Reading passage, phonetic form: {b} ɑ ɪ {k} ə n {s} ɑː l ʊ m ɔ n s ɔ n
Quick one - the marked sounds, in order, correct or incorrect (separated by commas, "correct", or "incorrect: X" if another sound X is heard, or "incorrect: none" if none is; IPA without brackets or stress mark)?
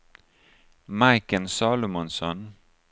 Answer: incorrect: m, correct, correct